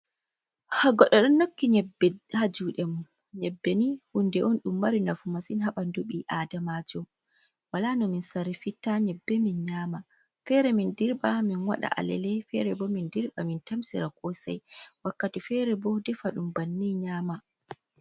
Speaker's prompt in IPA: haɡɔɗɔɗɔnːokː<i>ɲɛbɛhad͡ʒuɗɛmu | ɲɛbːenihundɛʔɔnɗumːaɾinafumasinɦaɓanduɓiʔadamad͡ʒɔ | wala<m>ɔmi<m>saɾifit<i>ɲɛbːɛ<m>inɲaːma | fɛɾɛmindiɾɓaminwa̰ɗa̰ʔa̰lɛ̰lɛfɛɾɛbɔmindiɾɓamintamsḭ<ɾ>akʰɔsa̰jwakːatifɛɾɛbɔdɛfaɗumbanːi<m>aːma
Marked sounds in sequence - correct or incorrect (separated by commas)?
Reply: correct, incorrect, incorrect, incorrect, correct, correct, incorrect